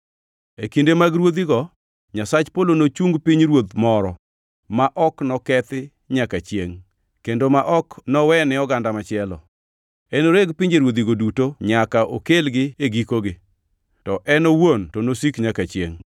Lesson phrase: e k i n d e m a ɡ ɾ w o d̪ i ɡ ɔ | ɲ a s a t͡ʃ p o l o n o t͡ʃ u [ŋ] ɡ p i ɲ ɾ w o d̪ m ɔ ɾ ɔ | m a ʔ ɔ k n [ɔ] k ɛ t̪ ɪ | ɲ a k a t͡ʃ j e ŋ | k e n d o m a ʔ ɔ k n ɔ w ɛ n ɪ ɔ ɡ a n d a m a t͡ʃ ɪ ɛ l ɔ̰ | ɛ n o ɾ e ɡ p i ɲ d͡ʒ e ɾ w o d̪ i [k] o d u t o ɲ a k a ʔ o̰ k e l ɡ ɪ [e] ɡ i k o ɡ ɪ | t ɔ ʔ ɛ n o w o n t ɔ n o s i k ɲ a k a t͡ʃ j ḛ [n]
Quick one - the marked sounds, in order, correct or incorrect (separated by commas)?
correct, correct, incorrect, correct, incorrect